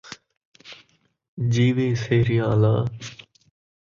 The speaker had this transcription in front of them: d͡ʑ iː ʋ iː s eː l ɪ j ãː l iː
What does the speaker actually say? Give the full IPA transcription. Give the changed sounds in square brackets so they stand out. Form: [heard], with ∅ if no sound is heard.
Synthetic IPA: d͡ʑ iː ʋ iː s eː [ɾ] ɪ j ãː l [aː]